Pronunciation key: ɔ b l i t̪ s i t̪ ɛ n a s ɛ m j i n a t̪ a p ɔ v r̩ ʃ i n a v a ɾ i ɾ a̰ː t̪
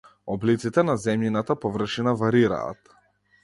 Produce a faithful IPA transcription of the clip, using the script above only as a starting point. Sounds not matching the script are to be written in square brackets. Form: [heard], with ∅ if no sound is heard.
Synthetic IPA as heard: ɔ b l i t̪ s i t̪ ɛ n a [z] ɛ m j i n a t̪ a p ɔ v r̩ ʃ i n a v a ɾ i ɾ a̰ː t̪